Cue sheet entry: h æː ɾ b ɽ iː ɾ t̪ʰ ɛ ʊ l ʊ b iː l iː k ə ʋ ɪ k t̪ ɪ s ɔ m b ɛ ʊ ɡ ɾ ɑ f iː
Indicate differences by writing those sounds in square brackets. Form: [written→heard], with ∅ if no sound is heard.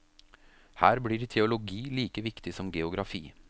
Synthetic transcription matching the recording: h æː ɾ b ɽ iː ɾ t̪ʰ ɛ ʊ l ʊ [b→ɡ] iː l iː k ə ʋ ɪ k t̪ ɪ s ɔ m [b→ɡ] ɛ ʊ ɡ ɾ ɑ f iː

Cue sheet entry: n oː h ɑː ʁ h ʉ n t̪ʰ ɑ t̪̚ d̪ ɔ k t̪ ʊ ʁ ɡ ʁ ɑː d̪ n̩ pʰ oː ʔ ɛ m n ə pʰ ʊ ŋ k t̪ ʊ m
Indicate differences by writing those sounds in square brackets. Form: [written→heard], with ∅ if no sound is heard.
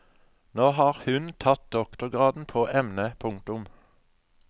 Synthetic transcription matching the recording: n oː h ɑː ʁ h ʉ n t̪ʰ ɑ t̪̚ d̪ ɔ k t̪ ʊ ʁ ɡ ʁ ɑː d̪ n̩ pʰ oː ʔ ɛ m n ə pʰ ʊ ŋ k t̪ ʊ m

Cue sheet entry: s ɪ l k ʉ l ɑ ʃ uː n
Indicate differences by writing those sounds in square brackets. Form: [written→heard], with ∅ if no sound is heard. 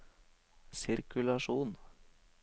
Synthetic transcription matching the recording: s ɪ [l→ɾ] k ʉ l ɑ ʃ uː n

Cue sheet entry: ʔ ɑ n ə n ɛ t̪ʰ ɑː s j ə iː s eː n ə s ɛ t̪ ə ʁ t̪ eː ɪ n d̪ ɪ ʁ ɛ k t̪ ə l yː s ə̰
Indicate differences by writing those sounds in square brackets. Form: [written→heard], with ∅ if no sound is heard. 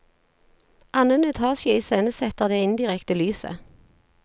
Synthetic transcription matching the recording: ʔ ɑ n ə n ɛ t̪ʰ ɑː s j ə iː s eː n ə s ɛ t̪ ə ʁ [t̪→d̪] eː ɪ n d̪ ɪ ʁ ɛ k t̪ ə l yː s ə̰

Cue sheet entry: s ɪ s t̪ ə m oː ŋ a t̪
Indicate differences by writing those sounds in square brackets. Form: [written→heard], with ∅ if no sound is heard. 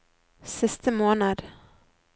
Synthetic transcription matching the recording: s ɪ s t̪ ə m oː [ŋ→n] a [t̪→d̪]

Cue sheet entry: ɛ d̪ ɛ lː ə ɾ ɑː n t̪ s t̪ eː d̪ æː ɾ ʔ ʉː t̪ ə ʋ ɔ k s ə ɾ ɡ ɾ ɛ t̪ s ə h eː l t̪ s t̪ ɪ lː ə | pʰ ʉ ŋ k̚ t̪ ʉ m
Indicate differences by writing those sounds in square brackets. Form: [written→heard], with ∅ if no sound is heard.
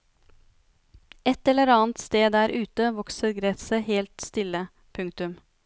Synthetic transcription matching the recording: ɛ [d̪→t̪] ɛ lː ə ɾ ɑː n t̪ s t̪ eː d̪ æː ɾ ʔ ʉː t̪ ə ʋ ɔ k s ə ɾ ɡ ɾ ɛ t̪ s ə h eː l t̪ s t̪ ɪ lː ə | pʰ ʉ ŋ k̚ t̪ ʉ m

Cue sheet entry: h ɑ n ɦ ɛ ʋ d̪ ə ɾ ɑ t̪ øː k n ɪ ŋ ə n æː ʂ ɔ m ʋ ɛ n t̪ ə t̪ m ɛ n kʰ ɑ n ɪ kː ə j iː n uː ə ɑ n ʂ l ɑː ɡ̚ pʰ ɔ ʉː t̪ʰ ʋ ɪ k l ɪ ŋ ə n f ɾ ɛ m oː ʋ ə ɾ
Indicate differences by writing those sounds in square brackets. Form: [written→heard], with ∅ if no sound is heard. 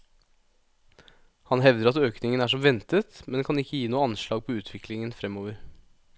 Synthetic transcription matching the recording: h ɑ n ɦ ɛ ʋ d̪ ə ɾ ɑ t̪ øː k n ɪ ŋ ə n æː ʂ ɔ m ʋ ɛ n t̪ ə t̪ m ɛ n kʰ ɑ n ɪ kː ə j iː n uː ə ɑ n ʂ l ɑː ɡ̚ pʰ ɔ ʉː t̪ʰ ʋ ɪ k l ɪ ŋ ə n f ɾ ɛ m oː ʋ ə ɾ

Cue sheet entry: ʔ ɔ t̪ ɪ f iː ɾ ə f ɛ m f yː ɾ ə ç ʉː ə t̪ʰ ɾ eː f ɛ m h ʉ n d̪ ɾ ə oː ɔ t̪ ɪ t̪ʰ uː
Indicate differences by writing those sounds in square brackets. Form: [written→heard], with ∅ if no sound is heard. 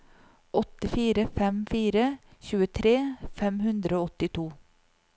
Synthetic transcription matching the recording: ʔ ɔ t̪ ɪ f iː ɾ ə f ɛ m f [yː→iː] ɾ ə ç ʉː ə t̪ʰ ɾ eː f ɛ m h ʉ n d̪ ɾ ə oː ɔ t̪ ɪ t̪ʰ uː

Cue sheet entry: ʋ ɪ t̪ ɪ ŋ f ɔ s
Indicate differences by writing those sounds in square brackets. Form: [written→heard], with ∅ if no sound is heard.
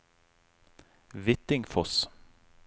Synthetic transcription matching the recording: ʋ ɪ t̪ ɪ ŋ f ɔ s

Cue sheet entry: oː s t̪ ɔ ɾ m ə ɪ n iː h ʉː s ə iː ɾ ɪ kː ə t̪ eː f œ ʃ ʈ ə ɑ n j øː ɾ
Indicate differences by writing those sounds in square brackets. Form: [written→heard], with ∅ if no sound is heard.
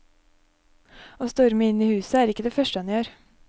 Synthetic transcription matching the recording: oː s t̪ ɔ ɾ m ə ɪ n iː h ʉː s ə [iː→æː] ɾ ɪ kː ə [t̪→d̪] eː f œ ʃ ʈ ə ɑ n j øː ɾ

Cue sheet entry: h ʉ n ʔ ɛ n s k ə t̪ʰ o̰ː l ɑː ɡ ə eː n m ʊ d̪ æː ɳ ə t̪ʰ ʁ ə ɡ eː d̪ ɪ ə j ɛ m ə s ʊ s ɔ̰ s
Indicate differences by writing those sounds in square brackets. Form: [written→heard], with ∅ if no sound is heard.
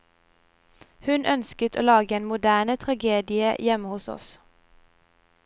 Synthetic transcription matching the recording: h ʉ n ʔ [ɛ→œ] n s k ə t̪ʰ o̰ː l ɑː ɡ ə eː n m ʊ d̪ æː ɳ ə t̪ʰ ʁ [ə→ɑ] ɡ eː d̪ ɪ ə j ɛ m ə [s→h] ʊ s ɔ̰ s

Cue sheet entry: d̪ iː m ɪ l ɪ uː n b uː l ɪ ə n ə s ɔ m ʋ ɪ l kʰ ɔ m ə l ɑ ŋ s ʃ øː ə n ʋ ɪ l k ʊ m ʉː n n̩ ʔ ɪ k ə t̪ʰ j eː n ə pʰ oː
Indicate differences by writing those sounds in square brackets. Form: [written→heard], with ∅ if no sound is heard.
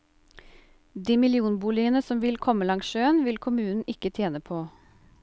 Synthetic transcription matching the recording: d̪ iː m ɪ l ɪ uː n b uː l ɪ ə n ə s ɔ m ʋ ɪ l kʰ ɔ m ə l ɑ ŋ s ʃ øː ə n ʋ ɪ l [k→kʰ] ʊ m ʉː n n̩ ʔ ɪ k ə t̪ʰ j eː n ə pʰ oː

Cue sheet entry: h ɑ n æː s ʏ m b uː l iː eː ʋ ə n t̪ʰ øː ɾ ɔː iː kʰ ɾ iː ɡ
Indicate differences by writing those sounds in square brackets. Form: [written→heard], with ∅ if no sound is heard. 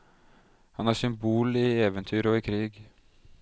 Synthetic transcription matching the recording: h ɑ n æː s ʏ m b uː l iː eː ʋ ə n t̪ʰ [øː→yː] ɾ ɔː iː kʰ ɾ iː ɡ

